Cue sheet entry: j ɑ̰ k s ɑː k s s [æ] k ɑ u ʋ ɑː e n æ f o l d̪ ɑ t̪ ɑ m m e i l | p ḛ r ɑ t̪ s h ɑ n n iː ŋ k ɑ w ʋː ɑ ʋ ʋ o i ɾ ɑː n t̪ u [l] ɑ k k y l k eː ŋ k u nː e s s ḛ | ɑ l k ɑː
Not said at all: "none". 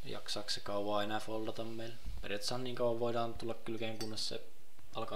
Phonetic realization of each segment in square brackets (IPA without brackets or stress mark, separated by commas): e, lː